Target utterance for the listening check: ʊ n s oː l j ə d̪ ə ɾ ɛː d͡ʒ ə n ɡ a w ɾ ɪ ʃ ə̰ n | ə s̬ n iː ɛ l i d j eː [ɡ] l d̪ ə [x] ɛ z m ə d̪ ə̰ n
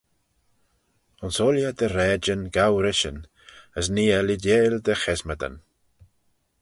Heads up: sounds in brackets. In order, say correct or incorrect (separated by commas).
incorrect, correct